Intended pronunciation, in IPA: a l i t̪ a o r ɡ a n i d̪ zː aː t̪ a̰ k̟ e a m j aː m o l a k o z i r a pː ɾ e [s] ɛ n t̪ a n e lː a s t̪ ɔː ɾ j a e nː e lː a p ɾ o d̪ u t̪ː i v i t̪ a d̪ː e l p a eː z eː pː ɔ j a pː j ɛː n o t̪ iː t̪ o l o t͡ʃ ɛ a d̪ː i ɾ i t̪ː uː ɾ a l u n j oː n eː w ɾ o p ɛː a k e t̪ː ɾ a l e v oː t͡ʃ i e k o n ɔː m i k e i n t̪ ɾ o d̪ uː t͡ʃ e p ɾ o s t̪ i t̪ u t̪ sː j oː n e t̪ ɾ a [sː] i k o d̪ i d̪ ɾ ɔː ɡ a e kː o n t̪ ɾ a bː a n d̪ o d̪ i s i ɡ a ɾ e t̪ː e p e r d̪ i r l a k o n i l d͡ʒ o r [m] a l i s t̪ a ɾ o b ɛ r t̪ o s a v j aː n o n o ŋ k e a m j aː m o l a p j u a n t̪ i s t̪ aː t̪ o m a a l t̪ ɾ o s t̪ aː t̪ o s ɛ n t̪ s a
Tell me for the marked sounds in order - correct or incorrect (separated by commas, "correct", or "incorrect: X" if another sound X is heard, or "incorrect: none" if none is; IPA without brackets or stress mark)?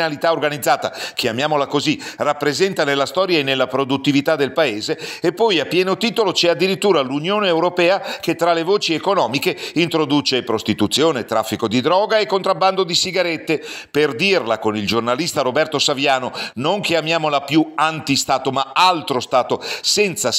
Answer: incorrect: z, incorrect: fː, incorrect: n